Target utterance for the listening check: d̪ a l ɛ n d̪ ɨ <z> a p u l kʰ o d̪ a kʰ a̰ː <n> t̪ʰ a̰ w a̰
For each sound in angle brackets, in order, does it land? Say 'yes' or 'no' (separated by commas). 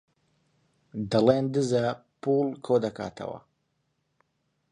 yes, no